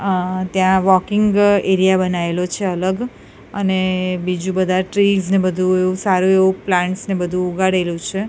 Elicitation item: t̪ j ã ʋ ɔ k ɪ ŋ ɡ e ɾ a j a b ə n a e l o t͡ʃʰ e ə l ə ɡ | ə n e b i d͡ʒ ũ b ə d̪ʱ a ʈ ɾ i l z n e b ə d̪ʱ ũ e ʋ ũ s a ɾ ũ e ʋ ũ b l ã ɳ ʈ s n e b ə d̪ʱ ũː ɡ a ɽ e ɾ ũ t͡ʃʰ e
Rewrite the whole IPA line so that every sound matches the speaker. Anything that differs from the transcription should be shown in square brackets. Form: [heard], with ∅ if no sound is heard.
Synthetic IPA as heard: t̪ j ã ʋ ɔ k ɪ ŋ ɡ e ɾ [i] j a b ə n a e l o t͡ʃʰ e ə l ə ɡ | ə n e b i d͡ʒ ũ b ə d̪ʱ a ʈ ɾ i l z n e b ə d̪ʱ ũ e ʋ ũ s a ɾ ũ e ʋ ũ [p] l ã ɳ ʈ s n e b ə d̪ʱ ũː ɡ a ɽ e [l] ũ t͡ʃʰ e